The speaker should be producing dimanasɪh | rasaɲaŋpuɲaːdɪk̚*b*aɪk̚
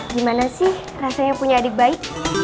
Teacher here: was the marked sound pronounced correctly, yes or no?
yes